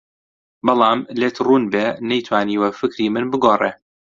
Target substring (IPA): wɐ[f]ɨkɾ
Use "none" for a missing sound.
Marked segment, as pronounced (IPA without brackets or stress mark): f